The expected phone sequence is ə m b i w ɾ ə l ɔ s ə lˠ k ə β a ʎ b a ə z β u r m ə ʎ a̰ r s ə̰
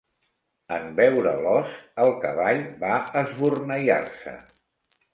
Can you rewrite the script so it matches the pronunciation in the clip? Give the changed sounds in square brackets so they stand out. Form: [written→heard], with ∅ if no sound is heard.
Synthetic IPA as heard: ə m b [i→ɛ] w ɾ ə l ɔ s ə lˠ k ə β a ʎ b a ə z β u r [m→n] ə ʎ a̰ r s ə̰